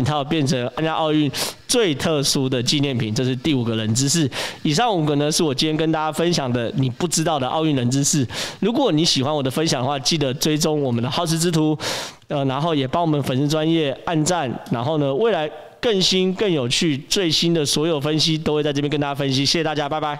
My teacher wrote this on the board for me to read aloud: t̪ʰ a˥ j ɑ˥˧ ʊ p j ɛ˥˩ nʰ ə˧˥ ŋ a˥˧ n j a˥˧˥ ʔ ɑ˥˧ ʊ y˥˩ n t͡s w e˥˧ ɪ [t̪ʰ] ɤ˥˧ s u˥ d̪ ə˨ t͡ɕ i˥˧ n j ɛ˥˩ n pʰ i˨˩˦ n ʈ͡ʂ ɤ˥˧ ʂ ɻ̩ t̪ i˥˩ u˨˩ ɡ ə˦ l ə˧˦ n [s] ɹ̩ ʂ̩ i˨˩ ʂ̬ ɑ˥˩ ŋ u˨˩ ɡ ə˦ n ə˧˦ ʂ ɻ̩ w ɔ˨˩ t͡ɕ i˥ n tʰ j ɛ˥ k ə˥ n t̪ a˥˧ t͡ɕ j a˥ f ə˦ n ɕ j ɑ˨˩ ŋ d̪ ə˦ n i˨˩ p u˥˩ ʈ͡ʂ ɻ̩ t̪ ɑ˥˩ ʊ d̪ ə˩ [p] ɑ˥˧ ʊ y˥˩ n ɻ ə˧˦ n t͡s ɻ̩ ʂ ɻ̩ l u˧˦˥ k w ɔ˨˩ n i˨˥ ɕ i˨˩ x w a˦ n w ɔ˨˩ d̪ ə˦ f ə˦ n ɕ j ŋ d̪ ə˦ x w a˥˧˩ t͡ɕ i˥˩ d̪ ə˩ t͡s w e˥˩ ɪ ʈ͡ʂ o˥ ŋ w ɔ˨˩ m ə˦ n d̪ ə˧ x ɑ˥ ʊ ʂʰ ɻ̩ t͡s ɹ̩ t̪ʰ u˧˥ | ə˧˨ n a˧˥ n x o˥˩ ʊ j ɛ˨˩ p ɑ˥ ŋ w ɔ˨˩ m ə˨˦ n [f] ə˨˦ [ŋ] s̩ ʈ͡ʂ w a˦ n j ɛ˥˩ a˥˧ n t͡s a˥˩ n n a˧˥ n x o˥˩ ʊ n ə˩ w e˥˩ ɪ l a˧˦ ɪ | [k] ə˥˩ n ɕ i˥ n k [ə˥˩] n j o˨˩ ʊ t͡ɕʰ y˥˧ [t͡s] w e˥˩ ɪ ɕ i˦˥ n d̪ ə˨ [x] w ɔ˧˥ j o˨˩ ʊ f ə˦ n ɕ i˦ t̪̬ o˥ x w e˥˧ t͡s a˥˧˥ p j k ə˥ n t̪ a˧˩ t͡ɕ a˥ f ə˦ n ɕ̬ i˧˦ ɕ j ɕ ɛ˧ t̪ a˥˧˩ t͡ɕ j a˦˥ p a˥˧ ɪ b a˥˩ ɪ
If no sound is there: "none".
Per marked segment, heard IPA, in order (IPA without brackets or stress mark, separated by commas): t̪ʰ, t͡s, ʔ, f, n, k, ə˥˩, t͡s, s